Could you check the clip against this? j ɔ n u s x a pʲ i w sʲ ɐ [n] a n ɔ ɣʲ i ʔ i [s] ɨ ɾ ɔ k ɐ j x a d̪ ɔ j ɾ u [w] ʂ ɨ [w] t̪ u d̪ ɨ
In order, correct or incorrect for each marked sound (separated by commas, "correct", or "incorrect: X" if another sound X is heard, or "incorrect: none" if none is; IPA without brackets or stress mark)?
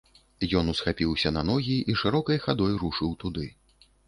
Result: correct, incorrect: ʂ, incorrect: none, correct